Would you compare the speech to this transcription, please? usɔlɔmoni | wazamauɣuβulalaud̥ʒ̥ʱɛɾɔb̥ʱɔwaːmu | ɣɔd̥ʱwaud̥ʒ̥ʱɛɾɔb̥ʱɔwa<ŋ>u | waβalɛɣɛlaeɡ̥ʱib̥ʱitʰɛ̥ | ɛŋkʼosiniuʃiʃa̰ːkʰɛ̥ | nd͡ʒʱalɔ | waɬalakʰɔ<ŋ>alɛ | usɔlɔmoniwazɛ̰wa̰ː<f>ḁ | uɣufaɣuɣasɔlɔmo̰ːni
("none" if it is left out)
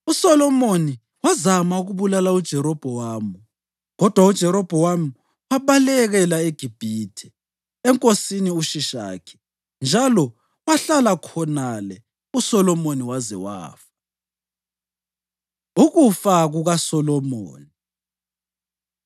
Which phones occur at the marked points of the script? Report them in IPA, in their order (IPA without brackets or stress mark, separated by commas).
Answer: m, n, f